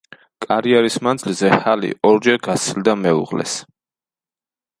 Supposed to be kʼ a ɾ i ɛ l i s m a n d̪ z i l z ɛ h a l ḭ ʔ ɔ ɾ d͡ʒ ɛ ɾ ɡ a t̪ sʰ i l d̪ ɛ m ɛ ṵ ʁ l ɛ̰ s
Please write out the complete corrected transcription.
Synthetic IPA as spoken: kʼ a ɾ i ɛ ɾ i s m a n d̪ z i l z ɛ h a l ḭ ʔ ɔ ɾ d͡ʒ ɛ ɾ ɡ a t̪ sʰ i l d̪ a m ɛ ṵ ʁ l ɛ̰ s